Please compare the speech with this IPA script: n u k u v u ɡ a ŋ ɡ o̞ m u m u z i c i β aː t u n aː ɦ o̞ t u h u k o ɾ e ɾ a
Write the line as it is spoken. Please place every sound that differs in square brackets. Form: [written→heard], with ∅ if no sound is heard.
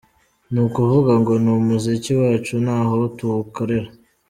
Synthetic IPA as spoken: n u k u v u ɡ a ŋ ɡ o̞ [m→n] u m u z i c i [β→w] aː [t→t͡ʃ] u n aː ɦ o̞ t u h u k o ɾ e ɾ a